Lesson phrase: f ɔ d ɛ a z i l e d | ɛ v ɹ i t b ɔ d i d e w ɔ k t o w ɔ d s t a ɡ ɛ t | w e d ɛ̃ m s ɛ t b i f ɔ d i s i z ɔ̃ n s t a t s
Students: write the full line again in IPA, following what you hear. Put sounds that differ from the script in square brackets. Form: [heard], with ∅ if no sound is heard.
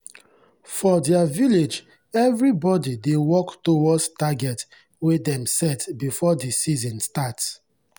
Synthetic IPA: f ɔ d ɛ a [v] i l e [d͡ʒ] | ɛ v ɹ i [∅] b ɔ d i d e w ɔ k t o w ɔ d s t a ɡ ɛ t | w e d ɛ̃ m s ɛ t b i f ɔ d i s i z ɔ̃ n s t a t s